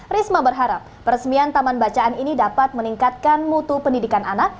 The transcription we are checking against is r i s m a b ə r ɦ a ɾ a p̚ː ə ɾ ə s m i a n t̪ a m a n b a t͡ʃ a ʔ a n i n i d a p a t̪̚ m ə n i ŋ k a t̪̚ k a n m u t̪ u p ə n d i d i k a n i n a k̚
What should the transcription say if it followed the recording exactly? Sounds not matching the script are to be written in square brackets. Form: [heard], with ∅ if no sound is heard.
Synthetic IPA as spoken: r i s m a b ə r ɦ a ɾ a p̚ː ə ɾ ə s m i a n t̪ a m a n b a t͡ʃ a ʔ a n i n i d a p a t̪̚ m ə n i ŋ k a t̪̚ k a n m u t̪ u p ə n d i d i k a n [a] n a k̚